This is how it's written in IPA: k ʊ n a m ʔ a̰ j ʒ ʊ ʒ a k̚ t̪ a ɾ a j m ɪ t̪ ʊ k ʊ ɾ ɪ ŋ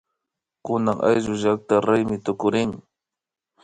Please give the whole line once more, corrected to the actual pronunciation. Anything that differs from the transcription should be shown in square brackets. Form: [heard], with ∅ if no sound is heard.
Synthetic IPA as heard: k ʊ n a [ŋ] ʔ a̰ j ʒ ʊ ʒ a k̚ t̪ a ɾ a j m ɪ t̪ ʊ k ʊ ɾ ɪ ŋ